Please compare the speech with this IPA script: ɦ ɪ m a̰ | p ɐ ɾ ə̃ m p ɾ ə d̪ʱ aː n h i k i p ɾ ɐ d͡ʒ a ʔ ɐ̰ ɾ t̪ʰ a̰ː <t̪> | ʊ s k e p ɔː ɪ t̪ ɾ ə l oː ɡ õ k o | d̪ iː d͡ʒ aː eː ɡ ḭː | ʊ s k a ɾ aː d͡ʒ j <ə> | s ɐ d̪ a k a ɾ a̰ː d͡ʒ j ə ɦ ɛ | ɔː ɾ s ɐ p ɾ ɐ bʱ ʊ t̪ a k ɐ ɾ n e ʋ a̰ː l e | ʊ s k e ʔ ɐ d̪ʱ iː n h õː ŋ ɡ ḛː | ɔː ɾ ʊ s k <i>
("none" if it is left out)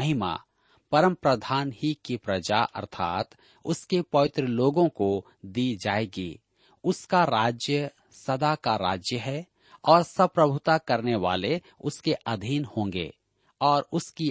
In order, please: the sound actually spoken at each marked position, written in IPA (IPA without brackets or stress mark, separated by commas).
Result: t̪, ə, i